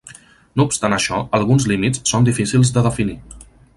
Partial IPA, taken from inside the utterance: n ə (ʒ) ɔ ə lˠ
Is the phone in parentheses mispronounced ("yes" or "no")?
yes